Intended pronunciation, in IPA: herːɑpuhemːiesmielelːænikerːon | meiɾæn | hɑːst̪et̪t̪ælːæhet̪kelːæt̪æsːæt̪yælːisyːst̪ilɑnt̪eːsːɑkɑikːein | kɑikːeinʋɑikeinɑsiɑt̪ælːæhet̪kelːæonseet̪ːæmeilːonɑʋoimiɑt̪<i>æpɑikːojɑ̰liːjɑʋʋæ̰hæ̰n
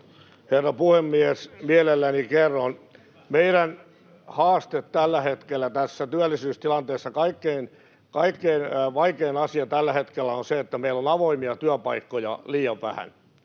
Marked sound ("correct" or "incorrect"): incorrect